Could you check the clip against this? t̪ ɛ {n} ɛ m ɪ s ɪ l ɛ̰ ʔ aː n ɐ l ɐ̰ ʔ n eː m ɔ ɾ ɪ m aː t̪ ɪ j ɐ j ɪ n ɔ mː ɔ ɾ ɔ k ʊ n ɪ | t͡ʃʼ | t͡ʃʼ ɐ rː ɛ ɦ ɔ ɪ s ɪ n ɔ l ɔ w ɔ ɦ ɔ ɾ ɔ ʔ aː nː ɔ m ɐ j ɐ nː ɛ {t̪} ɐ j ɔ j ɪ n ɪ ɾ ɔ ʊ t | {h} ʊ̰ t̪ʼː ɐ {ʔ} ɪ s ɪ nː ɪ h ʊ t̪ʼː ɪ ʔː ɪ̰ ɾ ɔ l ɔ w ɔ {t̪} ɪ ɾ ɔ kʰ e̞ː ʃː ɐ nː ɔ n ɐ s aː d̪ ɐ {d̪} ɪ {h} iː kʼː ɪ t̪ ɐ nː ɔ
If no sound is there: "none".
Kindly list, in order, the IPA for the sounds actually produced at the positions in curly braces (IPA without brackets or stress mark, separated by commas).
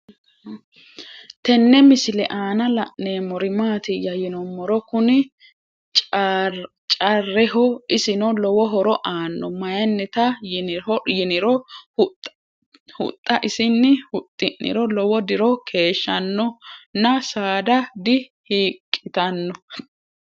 nː, t̪, h, ʔ, d̪, d̪, h